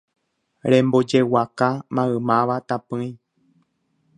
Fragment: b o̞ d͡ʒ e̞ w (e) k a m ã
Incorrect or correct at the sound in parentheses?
incorrect: a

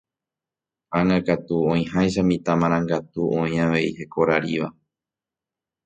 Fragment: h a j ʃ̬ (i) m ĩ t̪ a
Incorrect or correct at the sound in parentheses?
incorrect: a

